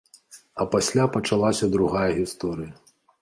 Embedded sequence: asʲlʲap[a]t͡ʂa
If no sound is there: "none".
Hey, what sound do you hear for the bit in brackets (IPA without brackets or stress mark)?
ɐ